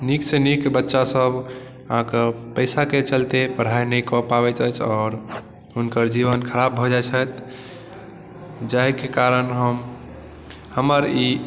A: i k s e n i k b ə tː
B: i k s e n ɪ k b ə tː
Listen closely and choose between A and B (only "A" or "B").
A